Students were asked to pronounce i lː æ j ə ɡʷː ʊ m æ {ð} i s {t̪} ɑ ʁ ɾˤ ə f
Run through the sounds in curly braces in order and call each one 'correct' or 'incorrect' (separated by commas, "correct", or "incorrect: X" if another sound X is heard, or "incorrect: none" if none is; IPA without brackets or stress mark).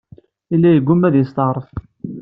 correct, correct